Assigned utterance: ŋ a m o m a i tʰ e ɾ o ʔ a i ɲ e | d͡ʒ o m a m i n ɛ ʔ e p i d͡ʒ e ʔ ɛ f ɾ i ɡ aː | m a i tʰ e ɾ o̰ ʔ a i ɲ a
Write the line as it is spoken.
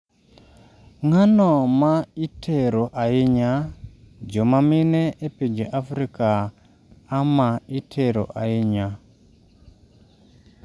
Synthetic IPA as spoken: ŋ a n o m a i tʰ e ɾ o ʔ a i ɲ a | d͡ʒ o m a m i n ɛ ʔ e p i d͡ʒ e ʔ a f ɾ i k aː | m a i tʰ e ɾ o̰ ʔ a i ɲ a